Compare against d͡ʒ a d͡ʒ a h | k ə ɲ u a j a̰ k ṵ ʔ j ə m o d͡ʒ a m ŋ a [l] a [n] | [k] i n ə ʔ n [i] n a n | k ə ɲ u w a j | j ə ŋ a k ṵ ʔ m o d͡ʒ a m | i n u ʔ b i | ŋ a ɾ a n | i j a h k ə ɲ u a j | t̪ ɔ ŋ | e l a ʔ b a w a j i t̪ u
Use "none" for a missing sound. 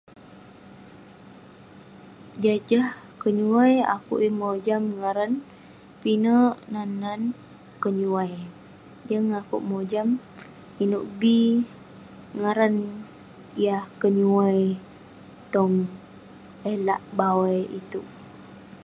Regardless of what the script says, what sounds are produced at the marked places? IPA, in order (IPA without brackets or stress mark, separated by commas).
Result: ɾ, n, p, a